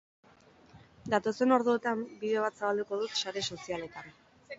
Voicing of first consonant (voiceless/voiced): voiced